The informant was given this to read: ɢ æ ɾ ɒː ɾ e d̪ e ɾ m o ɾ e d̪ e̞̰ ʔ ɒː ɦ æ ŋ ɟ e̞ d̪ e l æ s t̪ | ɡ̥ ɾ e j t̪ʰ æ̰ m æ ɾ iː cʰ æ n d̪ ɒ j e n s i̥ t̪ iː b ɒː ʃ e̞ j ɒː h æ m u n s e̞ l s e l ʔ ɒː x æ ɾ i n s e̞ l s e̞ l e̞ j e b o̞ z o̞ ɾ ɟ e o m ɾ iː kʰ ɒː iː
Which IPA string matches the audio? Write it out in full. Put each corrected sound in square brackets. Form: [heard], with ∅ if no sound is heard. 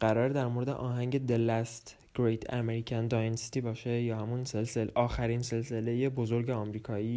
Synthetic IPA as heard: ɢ æ ɾ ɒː ɾ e d̪ [æ] ɾ m o ɾ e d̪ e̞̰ ʔ ɒː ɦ æ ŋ ɟ e̞ d̪ e l æ s t̪ | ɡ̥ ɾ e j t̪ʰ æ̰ m [e] ɾ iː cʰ æ n d̪ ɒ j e n s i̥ t̪ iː b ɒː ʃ e̞ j ɒː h æ m u n s e̞ l s e l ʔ ɒː x æ ɾ i n s e̞ l s e̞ l e̞ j e b o̞ z o̞ ɾ ɟ e [ɒ] m ɾ iː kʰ ɒː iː